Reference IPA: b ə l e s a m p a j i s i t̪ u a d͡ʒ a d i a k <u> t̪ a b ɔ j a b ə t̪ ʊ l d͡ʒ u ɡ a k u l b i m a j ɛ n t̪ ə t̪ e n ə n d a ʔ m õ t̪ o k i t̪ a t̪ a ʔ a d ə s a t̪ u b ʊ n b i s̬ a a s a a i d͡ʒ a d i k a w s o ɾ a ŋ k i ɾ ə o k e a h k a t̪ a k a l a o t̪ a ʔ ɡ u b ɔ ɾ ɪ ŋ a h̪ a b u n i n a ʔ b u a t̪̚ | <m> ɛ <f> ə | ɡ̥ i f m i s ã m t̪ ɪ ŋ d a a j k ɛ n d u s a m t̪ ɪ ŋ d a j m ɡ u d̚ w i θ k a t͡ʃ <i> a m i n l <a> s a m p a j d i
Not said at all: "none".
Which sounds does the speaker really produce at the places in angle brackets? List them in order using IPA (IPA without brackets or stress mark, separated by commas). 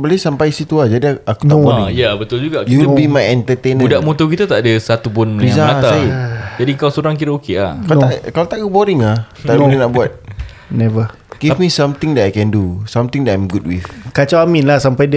u, n, v, a, a